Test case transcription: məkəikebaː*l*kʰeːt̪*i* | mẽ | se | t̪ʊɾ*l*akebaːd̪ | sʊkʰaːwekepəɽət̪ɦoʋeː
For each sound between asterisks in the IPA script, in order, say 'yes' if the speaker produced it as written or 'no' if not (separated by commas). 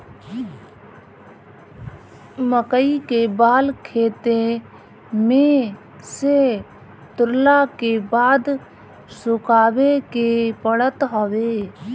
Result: yes, no, yes